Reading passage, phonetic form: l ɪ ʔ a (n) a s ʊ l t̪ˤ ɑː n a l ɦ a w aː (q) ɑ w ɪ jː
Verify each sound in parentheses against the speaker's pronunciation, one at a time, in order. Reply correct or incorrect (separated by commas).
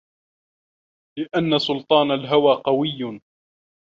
incorrect, correct